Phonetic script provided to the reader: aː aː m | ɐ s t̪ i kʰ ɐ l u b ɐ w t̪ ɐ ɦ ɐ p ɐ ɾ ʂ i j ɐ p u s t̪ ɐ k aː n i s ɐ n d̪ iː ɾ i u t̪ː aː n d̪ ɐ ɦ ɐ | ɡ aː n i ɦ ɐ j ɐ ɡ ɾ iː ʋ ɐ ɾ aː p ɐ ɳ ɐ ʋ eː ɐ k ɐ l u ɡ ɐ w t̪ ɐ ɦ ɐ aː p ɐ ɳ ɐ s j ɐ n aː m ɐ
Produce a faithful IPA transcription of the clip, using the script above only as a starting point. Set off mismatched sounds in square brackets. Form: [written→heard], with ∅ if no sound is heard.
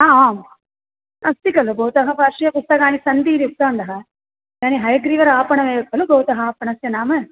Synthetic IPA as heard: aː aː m | ɐ s t̪ i [kʰ→k] ɐ l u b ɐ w t̪ ɐ ɦ ɐ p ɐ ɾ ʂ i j ɐ p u s t̪ ɐ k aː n i s ɐ n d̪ iː ɾ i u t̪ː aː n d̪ ɐ ɦ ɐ | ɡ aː n i ɦ ɐ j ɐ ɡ ɾ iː ʋ ɐ ɾ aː p ɐ ɳ ɐ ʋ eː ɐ k ɐ l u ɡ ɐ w t̪ ɐ ɦ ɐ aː p ɐ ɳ ɐ s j ɐ n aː m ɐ